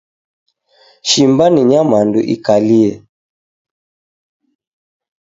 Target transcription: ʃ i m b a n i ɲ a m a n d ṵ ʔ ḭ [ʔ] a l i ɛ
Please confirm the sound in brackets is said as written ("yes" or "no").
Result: no